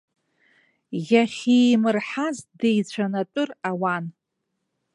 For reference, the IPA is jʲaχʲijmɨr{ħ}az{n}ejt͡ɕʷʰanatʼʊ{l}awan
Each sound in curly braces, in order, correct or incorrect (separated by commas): correct, incorrect, incorrect